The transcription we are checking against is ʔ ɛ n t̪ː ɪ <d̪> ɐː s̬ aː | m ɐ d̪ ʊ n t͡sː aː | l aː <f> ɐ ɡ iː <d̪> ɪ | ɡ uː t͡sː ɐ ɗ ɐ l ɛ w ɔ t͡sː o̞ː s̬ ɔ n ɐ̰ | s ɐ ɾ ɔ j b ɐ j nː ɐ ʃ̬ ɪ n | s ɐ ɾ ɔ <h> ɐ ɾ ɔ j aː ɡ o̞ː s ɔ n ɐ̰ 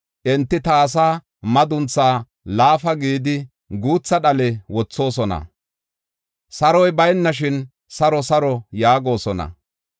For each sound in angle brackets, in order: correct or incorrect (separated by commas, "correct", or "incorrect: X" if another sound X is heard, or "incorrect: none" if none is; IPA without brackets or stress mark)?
incorrect: t̪, correct, correct, incorrect: s